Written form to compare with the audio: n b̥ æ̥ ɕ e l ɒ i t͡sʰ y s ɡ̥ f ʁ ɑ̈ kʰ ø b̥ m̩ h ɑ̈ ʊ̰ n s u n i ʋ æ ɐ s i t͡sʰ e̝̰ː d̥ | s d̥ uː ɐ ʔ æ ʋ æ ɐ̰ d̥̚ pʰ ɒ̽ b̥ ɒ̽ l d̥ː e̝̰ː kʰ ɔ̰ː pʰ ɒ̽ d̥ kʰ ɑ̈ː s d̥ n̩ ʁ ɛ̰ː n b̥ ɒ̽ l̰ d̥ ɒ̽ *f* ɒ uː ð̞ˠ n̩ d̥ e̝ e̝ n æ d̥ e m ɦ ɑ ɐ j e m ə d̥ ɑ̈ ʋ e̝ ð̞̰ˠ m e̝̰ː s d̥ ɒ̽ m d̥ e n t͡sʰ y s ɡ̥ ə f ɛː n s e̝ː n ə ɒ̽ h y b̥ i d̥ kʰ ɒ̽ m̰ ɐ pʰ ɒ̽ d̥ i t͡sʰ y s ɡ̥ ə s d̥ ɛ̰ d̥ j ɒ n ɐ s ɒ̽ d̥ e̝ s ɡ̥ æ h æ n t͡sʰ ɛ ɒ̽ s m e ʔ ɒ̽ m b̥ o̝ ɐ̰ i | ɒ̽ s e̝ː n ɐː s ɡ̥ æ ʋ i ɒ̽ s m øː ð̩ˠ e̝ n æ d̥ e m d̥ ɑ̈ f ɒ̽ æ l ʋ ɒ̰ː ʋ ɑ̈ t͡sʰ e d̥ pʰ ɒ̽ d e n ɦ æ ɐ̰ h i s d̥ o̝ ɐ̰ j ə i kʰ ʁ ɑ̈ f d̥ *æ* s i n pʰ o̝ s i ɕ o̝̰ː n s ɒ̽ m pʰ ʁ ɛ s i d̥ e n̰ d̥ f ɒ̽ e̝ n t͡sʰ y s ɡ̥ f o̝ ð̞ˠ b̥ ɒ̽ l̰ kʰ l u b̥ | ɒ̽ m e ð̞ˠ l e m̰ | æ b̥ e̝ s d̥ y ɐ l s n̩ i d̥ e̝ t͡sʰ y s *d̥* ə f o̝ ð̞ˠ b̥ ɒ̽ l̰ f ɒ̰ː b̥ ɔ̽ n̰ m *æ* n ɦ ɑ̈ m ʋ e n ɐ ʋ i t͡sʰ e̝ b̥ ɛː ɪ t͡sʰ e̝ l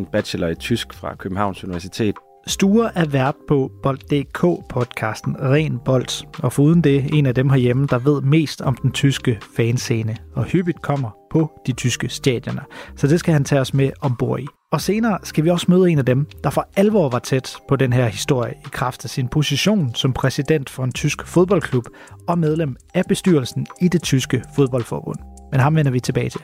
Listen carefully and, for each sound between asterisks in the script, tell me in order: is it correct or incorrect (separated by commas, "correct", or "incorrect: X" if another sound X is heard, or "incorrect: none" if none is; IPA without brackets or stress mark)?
correct, correct, incorrect: ɡ̥, incorrect: e